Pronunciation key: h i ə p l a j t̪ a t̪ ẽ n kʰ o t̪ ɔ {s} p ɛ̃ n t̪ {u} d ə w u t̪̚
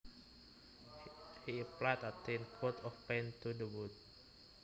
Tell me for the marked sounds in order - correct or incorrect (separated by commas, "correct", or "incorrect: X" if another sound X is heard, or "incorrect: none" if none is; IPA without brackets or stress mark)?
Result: incorrect: f, correct